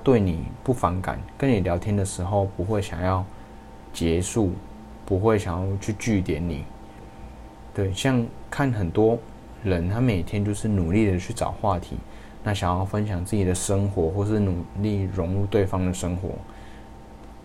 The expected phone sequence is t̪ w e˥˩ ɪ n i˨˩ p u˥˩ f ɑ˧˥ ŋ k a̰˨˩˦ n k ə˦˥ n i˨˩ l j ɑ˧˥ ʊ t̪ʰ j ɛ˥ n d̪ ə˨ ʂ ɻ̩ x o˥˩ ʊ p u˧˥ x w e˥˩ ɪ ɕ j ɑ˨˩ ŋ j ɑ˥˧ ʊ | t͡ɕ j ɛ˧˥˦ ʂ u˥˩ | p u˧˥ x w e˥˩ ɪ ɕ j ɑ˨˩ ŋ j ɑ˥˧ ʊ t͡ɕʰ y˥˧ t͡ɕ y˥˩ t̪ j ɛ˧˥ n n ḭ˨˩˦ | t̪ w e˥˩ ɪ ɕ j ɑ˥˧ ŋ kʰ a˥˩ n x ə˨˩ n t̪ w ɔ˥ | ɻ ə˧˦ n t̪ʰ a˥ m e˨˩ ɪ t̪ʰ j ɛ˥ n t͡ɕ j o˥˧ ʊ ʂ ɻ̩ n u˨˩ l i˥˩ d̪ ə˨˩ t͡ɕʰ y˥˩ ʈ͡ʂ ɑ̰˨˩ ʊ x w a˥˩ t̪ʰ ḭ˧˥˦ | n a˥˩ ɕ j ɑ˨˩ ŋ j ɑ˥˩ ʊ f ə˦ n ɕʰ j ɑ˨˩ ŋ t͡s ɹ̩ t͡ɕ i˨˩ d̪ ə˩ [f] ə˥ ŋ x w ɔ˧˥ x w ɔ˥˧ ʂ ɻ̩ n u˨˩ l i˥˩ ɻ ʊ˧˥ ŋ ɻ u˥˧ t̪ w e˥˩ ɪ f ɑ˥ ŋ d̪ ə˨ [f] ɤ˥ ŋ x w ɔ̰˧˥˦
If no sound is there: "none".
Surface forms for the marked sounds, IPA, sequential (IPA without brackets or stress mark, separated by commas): ʂ, ʂ